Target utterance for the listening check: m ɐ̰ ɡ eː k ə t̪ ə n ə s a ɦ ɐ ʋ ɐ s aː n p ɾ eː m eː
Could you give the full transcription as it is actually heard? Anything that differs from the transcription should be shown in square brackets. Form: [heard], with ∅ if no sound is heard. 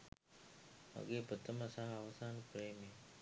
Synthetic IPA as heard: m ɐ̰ ɡ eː [p] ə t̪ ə [m] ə s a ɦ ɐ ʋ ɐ s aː n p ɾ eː m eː